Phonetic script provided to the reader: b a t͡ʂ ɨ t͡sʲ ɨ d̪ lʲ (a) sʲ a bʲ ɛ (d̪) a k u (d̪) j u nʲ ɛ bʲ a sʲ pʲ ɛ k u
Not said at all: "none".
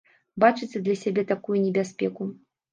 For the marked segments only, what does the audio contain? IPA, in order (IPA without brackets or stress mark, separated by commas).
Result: ɐ, t̪, none